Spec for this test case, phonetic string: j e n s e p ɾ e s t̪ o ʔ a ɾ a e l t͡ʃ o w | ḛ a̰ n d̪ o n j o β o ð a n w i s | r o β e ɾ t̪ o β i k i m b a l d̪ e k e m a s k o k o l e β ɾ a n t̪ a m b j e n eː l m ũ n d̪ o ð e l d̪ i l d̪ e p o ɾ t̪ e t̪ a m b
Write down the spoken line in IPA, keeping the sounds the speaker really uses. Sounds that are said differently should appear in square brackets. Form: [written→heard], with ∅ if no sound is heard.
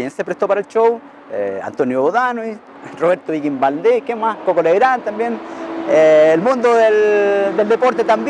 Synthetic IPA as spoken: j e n s e p ɾ e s t̪ o [ʔ→p] a ɾ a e l t͡ʃ o w | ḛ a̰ n [d̪→t̪] o n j o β o ð a n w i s | r o β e ɾ t̪ o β i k i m b a l d̪ e k e m a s k o k o l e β ɾ a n t̪ a m b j e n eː l m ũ n d̪ o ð e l d̪ [i→e] l d̪ e p o ɾ t̪ e t̪ a m b